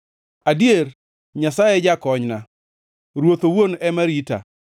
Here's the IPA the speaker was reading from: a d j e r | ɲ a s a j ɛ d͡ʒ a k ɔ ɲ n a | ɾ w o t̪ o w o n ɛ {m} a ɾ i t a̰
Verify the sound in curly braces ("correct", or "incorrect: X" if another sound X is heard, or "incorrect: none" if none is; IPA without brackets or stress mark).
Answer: correct